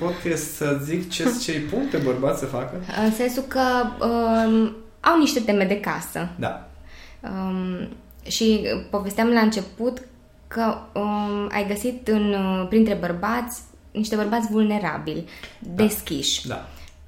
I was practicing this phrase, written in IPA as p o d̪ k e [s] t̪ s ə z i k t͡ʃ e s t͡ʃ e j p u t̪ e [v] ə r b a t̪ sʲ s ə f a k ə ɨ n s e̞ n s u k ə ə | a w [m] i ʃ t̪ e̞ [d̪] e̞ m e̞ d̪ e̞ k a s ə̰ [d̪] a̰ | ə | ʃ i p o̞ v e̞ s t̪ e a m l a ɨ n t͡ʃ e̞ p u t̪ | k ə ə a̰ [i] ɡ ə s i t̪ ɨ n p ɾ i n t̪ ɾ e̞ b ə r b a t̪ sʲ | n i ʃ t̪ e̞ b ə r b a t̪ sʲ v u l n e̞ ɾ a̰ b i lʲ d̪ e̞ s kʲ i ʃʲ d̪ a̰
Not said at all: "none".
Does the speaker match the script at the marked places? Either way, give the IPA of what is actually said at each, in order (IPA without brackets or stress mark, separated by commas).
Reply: s, b, n, t̪, d̪, j